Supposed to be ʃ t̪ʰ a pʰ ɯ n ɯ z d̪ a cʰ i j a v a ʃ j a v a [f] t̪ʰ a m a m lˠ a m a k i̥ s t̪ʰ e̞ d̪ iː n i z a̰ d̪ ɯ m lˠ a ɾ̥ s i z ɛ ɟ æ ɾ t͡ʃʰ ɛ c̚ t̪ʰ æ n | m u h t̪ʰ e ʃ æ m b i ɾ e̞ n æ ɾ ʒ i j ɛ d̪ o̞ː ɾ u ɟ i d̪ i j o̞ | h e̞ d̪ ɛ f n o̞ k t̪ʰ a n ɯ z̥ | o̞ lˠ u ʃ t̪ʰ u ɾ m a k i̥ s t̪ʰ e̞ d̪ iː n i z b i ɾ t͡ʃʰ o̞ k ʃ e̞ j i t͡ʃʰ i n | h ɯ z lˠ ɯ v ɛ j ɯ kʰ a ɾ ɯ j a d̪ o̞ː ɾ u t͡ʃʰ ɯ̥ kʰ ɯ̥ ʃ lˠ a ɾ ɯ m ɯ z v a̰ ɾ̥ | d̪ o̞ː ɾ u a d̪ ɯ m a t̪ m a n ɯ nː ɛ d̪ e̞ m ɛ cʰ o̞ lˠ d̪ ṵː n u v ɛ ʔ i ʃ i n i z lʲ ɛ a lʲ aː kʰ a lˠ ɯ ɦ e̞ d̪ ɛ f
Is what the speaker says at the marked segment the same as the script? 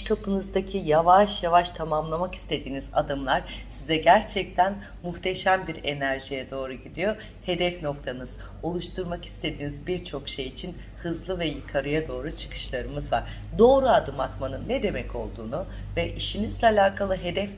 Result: no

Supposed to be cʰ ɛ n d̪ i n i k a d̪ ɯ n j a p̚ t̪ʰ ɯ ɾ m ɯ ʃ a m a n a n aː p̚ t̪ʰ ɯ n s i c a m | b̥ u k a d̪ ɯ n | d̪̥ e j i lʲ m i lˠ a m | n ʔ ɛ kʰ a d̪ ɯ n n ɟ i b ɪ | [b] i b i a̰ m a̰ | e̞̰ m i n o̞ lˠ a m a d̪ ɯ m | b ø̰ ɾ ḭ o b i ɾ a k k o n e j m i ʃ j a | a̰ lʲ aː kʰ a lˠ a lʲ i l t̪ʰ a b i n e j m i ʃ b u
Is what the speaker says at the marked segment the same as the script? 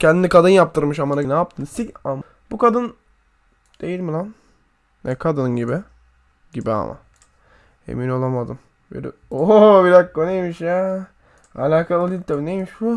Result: no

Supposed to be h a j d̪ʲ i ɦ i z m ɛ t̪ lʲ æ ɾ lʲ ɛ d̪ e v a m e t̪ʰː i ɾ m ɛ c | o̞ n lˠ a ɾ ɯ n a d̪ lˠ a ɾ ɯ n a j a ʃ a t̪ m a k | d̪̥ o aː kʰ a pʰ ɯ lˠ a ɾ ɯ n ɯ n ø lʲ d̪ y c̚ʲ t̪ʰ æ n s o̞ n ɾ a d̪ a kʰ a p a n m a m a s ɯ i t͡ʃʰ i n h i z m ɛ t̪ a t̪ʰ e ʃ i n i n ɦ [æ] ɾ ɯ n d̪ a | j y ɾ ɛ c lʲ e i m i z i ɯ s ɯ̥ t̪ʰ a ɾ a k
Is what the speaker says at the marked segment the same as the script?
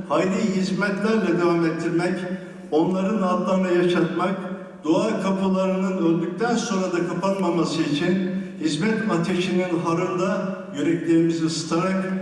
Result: no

